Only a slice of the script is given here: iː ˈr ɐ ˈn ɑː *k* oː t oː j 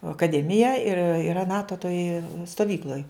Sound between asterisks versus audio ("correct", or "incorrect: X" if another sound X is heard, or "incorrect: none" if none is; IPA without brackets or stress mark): incorrect: t